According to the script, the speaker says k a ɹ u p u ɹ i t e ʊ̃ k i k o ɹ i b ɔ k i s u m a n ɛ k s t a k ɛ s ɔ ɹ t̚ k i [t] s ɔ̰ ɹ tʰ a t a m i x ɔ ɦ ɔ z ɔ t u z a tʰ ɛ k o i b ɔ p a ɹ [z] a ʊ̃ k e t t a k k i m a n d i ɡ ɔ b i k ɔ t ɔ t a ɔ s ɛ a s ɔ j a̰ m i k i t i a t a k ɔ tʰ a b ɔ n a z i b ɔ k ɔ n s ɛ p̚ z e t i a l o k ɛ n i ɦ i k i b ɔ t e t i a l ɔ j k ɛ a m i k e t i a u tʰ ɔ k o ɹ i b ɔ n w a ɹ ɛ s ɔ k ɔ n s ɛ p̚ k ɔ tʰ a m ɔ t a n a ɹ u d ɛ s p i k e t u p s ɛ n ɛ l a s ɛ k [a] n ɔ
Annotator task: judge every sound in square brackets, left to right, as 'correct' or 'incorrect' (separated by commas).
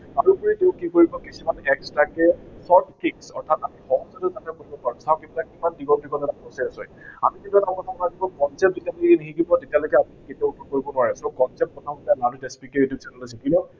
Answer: incorrect, incorrect, incorrect